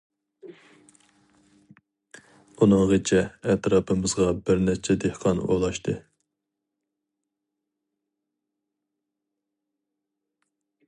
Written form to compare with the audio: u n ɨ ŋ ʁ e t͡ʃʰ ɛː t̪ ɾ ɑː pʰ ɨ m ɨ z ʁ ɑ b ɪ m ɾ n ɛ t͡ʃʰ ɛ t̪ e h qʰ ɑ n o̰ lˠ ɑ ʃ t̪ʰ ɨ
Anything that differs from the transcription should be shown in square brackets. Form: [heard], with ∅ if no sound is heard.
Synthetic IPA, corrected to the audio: u n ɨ ŋ ʁ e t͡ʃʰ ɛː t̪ ɾ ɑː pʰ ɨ m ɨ z ʁ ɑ b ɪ [∅] ɾ n ɛ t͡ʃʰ ɛ [d̪] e h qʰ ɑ n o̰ lˠ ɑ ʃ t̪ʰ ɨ